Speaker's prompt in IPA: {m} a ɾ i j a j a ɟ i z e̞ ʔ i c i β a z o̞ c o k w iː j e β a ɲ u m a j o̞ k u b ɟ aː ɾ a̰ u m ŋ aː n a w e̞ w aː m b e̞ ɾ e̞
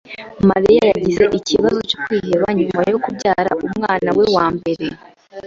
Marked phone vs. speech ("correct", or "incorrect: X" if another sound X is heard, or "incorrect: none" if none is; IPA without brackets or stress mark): correct